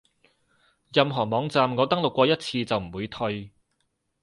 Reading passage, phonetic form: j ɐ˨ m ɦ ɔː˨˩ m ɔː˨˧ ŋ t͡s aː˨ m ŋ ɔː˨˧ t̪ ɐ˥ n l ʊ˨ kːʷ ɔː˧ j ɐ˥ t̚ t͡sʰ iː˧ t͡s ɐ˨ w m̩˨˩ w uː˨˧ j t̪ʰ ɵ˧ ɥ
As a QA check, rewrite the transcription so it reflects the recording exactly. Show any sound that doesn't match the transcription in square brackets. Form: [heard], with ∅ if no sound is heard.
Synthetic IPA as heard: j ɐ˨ m ɦ ɔː˨˩ m ɔː˨˧ ŋ t͡s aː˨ m ŋ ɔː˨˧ t̪ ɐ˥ [ŋ] l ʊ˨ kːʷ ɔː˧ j ɐ˥ t̚ t͡sʰ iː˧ t͡s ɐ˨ w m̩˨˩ w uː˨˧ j t̪ʰ ɵ˧ ɥ